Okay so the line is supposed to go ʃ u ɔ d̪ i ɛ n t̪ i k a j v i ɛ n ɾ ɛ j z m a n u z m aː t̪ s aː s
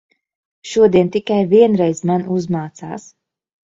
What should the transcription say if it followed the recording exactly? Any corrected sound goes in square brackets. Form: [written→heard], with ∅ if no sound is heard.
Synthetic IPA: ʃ u ɔ d̪ i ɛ n t̪ i k a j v i ɛ n ɾ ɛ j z m a n u z m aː t̪ s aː s

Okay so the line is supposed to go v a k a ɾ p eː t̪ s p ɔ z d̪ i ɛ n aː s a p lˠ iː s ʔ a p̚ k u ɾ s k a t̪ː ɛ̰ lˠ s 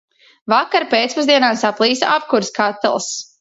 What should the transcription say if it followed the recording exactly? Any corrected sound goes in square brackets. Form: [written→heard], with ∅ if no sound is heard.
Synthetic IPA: v a k a ɾ p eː t̪ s p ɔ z d̪ i ɛ n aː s a p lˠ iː s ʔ a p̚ k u ɾ s k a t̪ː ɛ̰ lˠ s

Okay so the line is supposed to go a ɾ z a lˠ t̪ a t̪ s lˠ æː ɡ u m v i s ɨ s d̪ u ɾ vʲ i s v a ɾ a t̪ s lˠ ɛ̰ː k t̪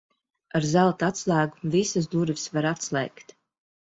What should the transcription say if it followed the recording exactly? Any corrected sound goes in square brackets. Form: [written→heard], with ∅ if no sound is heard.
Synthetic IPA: a ɾ z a lˠ t̪ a t̪ s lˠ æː ɡ u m v i s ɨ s d̪ u ɾ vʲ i s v a ɾ a t̪ s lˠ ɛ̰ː k t̪

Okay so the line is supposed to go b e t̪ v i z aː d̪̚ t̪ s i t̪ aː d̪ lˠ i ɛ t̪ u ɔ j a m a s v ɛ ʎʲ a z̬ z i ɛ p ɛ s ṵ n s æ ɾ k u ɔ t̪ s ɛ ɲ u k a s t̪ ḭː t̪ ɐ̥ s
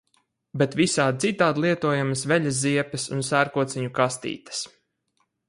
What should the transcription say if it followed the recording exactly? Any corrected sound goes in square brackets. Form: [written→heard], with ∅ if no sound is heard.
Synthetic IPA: b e t̪ v i [z→s] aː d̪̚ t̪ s i t̪ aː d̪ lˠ i ɛ t̪ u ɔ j a m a s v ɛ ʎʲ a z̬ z i ɛ p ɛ s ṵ n s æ ɾ k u ɔ t̪ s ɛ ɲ u k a s t̪ ḭː t̪ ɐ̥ s

